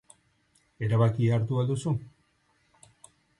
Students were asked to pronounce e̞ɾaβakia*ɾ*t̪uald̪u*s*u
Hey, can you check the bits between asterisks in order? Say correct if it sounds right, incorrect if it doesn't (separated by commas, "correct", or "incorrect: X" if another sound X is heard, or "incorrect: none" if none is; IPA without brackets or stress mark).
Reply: correct, correct